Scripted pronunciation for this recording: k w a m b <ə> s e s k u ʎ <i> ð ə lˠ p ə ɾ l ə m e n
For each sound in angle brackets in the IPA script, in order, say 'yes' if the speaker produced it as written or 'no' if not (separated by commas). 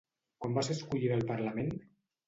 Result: no, yes